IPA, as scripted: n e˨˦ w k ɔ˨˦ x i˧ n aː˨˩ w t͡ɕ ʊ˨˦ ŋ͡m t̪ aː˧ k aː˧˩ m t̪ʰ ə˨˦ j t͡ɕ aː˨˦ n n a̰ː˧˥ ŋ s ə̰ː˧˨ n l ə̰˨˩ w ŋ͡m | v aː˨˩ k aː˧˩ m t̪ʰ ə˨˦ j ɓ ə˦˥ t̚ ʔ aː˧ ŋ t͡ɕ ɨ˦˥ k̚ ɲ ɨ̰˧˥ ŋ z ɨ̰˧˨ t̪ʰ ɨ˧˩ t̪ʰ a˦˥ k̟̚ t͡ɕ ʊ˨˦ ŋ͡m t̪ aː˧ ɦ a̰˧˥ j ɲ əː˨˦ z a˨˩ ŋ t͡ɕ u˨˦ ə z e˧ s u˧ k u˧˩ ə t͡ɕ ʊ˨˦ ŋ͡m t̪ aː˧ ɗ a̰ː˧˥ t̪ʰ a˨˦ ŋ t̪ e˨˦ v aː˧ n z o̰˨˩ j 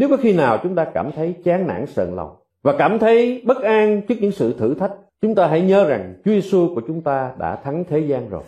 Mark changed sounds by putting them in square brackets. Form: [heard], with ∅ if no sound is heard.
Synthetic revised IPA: n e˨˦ w k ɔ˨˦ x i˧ n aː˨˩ w t͡ɕ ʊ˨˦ ŋ͡m t̪ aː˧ k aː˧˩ m t̪ʰ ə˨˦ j t͡ɕ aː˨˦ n n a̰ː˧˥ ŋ s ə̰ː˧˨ n l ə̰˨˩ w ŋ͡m | v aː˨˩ k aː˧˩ m t̪ʰ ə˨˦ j ɓ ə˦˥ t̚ ʔ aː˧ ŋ t͡ɕ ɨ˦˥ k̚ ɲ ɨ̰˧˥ ŋ [s] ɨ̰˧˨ t̪ʰ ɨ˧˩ t̪ʰ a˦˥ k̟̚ t͡ɕ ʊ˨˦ ŋ͡m t̪ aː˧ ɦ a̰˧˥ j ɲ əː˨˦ z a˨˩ ŋ t͡ɕ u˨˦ ə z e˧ s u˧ k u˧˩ ə t͡ɕ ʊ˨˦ ŋ͡m t̪ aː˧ ɗ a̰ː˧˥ t̪ʰ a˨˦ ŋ [t̪ʰ] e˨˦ [z] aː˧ n z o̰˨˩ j